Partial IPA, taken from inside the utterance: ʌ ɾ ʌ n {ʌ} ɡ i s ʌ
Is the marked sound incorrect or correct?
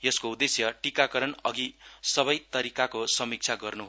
correct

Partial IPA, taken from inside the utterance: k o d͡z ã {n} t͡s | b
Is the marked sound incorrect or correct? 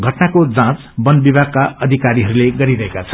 incorrect: none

